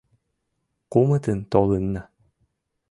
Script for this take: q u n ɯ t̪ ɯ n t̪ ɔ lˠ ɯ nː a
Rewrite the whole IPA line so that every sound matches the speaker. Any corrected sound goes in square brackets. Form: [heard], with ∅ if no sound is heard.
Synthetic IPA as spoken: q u [m] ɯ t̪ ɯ n t̪ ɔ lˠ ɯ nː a